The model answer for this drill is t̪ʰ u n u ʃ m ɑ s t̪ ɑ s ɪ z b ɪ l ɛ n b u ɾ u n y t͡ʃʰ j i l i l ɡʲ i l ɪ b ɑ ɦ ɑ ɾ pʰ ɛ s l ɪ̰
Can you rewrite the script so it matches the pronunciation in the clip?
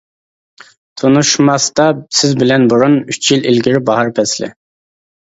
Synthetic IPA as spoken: t̪ʰ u n u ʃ m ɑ s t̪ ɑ s ɪ z b ɪ l ɛ n b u ɾ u n y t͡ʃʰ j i l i l ɡʲ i ɾ ɪ b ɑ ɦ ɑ ɾ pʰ ɛ s l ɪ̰